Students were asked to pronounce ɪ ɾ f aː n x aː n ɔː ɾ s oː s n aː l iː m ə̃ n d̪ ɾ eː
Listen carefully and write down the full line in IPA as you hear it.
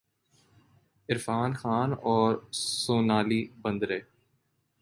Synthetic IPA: ɪ ɾ f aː n x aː n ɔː ɾ s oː n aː l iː b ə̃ n d̪ ɾ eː